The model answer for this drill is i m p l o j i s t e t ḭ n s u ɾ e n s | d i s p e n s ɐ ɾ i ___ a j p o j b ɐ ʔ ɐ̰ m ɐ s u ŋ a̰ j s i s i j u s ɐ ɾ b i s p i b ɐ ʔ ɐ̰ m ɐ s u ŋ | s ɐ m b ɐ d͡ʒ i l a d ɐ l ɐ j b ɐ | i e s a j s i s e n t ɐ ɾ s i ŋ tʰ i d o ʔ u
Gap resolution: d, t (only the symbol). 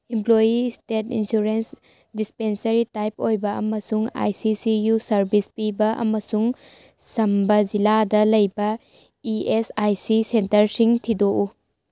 t